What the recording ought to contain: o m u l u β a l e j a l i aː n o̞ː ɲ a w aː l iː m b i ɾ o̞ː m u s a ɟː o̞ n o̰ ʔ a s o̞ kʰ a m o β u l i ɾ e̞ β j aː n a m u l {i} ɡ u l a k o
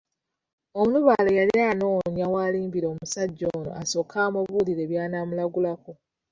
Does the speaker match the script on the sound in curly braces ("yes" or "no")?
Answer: no